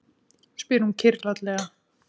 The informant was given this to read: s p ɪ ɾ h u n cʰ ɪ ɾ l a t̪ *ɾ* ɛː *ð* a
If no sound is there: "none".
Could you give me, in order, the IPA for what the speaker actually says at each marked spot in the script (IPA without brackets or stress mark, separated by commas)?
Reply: l, ɣ